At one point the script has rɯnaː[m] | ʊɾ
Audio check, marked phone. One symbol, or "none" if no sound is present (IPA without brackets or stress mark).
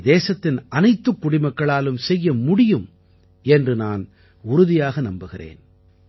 n